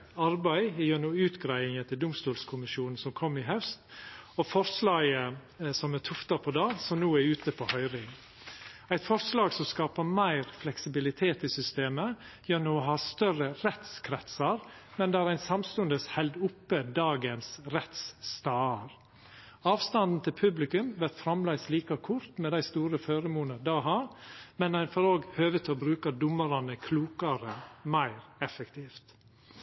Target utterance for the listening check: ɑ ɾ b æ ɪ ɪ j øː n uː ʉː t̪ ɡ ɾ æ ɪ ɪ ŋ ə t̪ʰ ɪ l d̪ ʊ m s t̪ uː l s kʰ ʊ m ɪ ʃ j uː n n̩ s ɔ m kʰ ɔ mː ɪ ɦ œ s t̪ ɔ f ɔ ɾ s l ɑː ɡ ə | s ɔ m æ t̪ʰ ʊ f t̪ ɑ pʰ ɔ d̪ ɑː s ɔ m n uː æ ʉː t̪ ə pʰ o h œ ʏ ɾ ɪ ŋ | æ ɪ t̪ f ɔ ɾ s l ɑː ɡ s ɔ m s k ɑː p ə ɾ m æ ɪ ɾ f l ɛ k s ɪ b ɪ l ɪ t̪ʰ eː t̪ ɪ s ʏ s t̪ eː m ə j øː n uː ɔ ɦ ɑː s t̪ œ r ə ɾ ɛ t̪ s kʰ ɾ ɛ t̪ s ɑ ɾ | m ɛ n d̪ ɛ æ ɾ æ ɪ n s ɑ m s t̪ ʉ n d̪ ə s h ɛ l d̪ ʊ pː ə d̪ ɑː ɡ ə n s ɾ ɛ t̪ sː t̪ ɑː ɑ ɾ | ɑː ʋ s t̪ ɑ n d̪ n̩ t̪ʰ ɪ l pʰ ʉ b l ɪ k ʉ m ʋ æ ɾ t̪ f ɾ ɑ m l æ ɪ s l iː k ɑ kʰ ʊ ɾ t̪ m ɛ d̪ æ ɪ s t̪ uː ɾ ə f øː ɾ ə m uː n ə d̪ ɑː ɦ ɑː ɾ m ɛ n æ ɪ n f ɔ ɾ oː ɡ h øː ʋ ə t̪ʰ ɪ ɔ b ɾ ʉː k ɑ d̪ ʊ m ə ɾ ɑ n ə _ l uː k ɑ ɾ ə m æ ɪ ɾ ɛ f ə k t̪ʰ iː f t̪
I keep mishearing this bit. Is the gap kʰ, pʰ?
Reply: kʰ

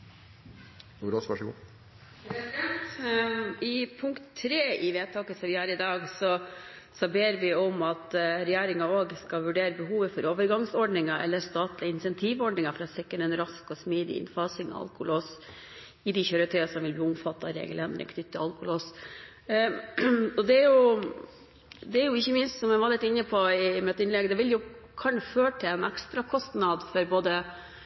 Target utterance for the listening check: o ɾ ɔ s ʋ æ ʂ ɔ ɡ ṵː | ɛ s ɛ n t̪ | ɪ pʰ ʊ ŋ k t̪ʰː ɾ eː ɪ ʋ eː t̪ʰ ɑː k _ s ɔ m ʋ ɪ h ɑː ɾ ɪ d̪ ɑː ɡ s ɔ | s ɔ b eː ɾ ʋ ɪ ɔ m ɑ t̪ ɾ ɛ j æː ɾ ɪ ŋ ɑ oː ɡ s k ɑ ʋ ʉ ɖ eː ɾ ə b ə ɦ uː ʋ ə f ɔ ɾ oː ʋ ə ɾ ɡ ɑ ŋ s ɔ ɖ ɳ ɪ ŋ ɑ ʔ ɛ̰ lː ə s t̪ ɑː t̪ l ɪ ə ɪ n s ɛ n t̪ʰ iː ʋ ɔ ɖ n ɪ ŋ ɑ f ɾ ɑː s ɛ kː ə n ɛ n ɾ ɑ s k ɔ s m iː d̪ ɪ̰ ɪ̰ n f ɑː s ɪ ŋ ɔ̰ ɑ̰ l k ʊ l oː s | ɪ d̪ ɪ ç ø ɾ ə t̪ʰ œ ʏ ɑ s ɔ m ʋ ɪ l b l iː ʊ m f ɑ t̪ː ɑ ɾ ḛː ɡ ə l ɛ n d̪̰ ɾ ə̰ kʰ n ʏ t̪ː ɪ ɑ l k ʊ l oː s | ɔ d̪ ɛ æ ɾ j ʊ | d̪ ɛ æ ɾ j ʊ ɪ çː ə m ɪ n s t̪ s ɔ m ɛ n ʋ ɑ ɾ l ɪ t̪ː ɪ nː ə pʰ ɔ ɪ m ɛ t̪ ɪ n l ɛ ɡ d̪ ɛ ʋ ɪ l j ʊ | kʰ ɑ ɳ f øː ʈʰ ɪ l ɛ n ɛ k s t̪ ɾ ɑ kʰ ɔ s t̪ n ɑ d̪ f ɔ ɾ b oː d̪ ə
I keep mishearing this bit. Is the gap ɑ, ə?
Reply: ə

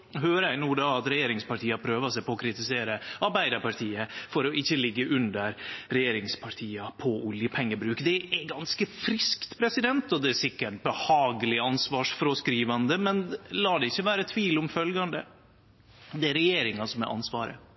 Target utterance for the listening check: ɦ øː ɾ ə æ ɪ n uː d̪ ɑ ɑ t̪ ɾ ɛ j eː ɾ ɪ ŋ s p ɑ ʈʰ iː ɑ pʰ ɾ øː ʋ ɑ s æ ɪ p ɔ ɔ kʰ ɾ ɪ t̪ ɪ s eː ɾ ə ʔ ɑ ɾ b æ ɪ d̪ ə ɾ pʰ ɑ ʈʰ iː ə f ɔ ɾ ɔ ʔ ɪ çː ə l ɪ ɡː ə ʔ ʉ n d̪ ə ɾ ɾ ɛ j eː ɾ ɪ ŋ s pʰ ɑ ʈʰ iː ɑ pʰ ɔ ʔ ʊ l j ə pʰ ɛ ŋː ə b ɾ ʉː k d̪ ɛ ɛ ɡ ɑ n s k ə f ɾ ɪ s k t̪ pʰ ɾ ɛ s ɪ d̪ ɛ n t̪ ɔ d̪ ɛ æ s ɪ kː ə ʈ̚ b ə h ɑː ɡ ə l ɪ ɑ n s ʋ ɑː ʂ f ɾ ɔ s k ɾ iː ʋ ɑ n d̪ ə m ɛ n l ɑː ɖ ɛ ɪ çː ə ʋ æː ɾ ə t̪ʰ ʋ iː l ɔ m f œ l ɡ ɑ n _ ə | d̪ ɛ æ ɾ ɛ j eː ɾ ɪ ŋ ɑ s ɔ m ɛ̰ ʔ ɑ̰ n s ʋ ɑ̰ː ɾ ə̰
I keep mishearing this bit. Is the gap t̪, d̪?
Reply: d̪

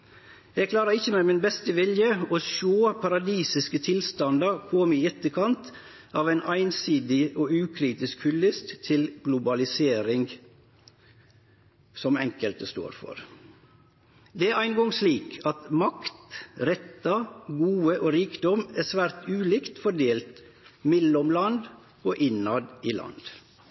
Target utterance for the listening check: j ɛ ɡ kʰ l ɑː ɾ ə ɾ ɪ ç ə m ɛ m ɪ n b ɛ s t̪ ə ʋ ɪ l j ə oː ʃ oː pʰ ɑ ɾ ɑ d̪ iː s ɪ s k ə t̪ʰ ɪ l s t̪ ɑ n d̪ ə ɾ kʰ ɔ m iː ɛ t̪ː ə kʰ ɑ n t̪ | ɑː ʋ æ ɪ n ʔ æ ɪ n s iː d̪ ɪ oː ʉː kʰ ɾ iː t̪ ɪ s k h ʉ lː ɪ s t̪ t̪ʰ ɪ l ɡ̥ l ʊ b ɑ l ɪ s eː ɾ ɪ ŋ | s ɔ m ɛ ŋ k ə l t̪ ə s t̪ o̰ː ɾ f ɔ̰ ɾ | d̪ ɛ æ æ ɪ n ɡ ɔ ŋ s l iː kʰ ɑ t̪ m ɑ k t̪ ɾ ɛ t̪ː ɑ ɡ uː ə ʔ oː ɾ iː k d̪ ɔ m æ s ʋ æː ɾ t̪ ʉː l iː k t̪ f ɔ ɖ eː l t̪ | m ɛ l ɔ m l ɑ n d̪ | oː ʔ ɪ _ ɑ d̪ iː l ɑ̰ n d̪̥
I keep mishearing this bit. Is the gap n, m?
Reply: n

